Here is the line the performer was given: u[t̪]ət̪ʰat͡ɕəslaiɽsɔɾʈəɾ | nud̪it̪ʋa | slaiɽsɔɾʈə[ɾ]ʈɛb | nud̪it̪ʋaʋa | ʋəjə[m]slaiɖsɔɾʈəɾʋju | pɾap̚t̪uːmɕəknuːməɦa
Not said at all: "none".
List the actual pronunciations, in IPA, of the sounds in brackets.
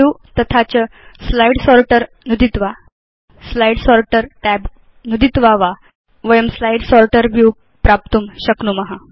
t̪, ɾ, m

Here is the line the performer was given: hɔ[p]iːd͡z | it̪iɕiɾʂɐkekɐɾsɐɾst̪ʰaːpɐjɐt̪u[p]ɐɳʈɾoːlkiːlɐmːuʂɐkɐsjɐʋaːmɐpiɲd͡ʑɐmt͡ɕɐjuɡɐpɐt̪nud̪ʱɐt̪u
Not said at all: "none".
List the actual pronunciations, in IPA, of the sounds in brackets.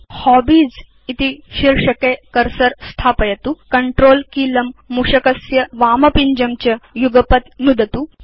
b, k

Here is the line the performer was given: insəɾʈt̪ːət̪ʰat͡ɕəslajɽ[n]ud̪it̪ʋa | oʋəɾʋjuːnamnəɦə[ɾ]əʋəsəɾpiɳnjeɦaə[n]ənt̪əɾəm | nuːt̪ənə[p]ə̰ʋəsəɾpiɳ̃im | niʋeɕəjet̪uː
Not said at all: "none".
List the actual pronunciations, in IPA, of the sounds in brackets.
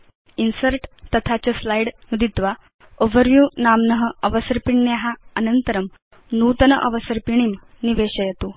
n, none, n, ʔ

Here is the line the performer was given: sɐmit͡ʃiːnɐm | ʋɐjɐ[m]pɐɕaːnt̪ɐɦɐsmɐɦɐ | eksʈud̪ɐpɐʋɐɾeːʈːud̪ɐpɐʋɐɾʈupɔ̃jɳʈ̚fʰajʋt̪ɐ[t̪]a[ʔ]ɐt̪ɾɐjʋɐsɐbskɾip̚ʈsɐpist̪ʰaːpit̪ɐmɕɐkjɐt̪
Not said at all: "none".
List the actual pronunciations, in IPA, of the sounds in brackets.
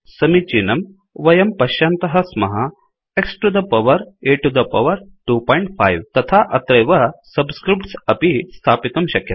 m, t̪ʰ, ʔ

